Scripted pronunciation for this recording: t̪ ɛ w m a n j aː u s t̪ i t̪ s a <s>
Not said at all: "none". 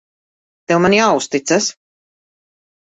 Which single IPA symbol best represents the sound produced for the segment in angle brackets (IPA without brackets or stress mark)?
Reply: s